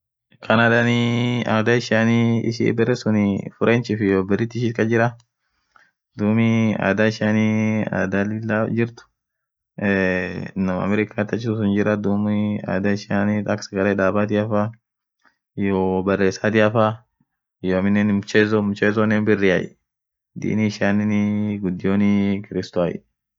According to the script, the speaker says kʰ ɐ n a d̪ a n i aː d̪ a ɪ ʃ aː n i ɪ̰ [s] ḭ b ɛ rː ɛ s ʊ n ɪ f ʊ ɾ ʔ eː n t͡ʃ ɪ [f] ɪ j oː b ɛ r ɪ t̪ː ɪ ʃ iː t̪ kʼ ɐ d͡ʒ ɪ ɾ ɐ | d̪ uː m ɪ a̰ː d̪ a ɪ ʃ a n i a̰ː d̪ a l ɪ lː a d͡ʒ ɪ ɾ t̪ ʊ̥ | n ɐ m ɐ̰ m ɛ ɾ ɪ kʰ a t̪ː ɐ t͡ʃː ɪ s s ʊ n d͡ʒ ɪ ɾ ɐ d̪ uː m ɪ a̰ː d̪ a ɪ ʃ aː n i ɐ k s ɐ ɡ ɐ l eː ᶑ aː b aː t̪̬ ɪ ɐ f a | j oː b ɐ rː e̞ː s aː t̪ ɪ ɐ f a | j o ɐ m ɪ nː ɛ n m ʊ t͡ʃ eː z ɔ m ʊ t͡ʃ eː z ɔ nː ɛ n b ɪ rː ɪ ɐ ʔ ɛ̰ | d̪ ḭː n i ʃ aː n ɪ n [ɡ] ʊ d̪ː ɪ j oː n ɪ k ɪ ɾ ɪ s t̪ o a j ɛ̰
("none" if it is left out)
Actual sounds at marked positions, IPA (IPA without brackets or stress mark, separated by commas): ʃ, f, ɡ